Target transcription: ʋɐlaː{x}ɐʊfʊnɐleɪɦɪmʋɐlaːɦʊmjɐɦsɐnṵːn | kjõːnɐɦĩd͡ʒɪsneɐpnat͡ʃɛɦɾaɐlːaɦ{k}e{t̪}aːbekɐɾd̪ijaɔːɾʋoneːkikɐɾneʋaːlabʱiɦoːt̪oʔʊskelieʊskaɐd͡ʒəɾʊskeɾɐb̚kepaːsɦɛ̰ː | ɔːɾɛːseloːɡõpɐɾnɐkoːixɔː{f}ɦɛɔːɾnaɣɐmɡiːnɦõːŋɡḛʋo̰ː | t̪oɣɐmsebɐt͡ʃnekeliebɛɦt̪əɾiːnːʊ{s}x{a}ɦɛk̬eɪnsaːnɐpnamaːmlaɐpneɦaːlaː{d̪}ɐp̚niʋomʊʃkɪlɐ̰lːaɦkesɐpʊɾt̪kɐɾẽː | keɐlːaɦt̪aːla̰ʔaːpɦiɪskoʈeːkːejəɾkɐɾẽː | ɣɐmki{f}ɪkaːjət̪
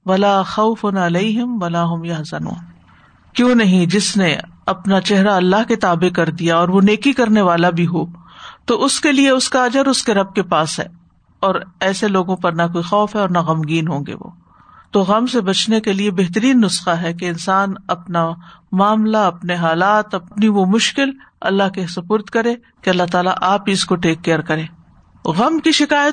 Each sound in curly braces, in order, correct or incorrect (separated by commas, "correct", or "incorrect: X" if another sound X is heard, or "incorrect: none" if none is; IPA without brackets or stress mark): correct, correct, correct, correct, correct, correct, incorrect: t̪, incorrect: ʃ